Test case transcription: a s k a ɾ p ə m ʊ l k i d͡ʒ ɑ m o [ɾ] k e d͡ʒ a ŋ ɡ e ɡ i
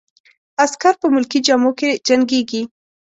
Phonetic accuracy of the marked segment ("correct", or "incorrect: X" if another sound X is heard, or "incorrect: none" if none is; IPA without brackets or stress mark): incorrect: none